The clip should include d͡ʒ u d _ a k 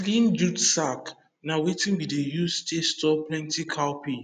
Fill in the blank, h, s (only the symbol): s